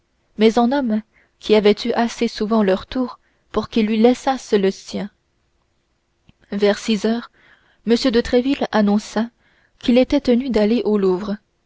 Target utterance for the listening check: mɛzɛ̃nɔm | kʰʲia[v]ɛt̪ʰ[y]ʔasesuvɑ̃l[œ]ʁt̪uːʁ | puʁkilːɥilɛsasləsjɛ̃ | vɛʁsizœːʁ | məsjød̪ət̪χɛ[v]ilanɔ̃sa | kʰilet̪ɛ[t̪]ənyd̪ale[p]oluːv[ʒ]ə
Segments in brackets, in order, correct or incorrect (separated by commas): correct, correct, correct, correct, correct, incorrect, incorrect